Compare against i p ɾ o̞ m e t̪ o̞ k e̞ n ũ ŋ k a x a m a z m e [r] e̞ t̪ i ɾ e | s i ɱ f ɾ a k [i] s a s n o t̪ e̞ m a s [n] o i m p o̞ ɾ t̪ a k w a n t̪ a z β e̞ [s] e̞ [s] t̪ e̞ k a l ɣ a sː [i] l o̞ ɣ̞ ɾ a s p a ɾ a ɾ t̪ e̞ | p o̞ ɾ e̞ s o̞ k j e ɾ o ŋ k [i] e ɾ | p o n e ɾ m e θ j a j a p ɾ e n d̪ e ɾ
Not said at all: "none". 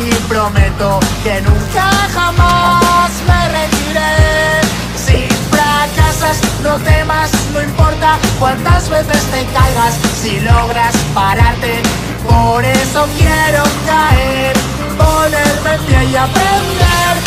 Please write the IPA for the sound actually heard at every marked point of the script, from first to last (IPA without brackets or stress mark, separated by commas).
r, a, n, θ, s, i, a